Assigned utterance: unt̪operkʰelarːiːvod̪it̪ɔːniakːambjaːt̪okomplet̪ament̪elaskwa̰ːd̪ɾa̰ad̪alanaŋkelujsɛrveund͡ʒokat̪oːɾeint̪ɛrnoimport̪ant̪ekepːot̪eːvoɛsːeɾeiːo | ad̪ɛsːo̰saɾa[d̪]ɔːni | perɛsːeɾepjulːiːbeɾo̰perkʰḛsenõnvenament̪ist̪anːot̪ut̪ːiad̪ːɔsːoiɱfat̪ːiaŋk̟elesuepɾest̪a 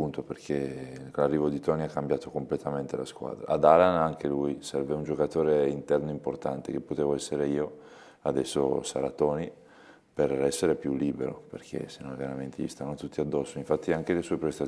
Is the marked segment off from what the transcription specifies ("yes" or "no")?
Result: yes